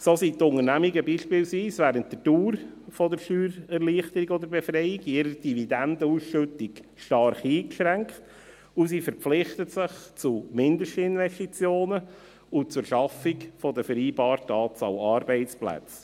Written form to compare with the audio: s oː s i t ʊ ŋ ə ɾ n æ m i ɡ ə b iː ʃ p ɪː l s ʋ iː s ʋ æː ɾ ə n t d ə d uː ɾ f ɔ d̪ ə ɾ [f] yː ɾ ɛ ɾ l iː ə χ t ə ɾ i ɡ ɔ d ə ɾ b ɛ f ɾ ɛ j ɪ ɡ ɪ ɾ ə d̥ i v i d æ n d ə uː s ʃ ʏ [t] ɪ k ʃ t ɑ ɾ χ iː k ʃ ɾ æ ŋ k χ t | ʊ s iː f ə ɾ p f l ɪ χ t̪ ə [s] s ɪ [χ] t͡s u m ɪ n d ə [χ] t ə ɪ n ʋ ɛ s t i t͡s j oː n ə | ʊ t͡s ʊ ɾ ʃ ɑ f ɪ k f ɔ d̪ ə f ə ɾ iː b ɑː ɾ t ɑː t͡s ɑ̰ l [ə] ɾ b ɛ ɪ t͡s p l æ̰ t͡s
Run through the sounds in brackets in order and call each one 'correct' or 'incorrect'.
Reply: incorrect: ʃ, correct, incorrect: t, correct, incorrect: ʃ, incorrect: ɑ

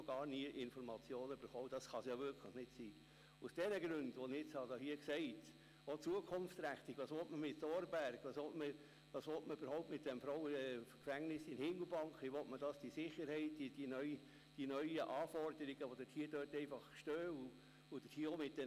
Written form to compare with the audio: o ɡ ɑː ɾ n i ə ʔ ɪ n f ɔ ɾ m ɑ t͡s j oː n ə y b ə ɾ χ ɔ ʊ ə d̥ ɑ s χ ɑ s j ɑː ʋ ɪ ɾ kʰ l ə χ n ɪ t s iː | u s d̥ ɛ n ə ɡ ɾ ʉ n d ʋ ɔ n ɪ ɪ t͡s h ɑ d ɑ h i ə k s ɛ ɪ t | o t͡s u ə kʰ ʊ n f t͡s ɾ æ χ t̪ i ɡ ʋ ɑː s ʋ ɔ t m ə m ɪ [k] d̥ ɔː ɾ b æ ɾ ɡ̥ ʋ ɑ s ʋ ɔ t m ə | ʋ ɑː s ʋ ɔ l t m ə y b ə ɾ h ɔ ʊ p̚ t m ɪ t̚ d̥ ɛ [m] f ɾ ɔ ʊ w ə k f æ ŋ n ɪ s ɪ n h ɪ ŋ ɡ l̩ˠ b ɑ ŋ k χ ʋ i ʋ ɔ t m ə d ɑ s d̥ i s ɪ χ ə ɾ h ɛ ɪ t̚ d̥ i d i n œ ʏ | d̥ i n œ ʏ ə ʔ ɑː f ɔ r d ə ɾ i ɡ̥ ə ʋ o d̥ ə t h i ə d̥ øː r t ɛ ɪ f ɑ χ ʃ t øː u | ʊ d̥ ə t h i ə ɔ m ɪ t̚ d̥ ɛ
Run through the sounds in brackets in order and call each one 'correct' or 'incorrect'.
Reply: incorrect: t, correct

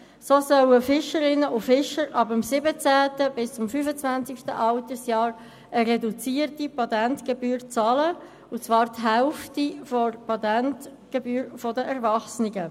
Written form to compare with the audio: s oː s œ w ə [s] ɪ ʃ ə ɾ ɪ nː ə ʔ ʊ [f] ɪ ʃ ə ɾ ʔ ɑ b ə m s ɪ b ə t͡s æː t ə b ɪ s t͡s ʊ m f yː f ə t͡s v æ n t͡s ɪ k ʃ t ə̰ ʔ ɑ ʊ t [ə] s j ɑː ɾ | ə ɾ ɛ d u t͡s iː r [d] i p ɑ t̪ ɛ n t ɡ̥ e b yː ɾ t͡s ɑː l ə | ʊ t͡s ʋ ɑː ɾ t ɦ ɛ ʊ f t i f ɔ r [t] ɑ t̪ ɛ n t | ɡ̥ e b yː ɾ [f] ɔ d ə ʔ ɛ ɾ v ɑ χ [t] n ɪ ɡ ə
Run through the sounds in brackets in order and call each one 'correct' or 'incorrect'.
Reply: incorrect: f, correct, correct, incorrect: t, incorrect: p, correct, incorrect: s

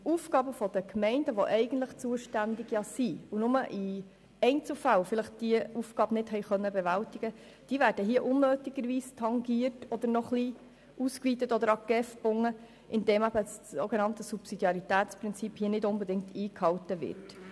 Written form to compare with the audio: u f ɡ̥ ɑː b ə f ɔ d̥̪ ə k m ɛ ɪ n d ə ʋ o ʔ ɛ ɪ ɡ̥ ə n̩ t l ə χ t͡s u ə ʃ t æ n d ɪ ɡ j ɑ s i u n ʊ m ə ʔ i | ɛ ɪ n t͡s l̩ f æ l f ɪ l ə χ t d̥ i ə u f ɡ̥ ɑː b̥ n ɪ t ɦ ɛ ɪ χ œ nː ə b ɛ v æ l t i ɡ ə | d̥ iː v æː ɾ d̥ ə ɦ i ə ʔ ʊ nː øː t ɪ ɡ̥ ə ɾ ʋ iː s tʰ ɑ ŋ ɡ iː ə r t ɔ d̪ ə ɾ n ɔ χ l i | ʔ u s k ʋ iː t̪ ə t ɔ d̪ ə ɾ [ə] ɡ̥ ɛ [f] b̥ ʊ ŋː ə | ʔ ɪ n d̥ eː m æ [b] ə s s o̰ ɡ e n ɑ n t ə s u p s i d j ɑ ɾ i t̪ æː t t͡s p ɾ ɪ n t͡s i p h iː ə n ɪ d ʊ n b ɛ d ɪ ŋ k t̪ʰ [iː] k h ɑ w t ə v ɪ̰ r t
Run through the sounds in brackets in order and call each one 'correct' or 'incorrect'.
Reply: incorrect: ɑ, correct, correct, correct

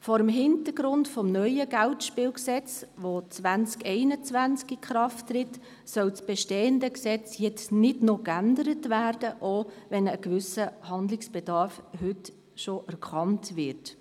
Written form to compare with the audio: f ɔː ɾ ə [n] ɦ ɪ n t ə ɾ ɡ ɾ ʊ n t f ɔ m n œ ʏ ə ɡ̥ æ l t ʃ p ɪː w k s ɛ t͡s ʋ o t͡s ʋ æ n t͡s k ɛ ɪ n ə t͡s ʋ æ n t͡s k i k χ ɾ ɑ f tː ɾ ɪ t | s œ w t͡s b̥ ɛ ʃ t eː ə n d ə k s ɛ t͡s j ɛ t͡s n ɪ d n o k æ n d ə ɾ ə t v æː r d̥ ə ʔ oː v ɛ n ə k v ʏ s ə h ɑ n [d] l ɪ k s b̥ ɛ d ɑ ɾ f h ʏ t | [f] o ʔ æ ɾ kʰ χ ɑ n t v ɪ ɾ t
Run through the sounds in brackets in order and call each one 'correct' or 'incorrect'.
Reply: incorrect: m, correct, incorrect: ʃ

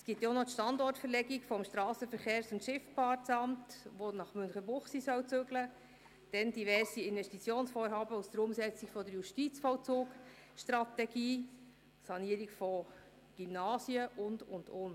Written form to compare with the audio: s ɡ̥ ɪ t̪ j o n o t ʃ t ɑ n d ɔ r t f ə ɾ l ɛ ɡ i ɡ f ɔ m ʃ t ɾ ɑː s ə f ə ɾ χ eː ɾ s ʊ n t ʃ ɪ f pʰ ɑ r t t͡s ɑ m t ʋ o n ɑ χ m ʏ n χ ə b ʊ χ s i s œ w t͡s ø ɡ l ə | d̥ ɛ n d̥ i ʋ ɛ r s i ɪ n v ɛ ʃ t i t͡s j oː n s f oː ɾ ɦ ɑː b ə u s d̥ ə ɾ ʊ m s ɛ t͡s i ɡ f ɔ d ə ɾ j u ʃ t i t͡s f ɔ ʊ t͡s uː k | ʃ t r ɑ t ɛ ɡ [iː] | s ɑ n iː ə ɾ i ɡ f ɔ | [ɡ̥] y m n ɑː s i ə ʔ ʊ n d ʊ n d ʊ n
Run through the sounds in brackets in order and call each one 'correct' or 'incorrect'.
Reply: correct, correct

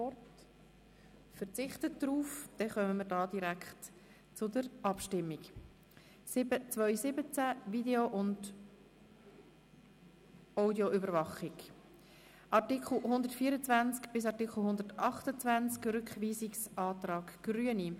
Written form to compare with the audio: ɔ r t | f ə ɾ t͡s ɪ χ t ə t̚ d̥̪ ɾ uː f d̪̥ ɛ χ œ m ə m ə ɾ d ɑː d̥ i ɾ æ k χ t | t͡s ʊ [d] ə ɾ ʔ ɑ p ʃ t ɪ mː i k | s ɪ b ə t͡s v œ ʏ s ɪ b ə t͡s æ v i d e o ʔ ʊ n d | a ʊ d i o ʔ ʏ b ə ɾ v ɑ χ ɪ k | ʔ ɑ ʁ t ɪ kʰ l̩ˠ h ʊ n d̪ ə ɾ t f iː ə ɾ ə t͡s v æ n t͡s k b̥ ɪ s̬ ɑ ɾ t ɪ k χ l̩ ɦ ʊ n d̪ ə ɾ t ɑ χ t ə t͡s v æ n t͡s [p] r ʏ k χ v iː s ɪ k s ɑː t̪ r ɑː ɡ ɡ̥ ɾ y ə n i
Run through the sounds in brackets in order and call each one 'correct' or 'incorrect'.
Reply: correct, incorrect: k

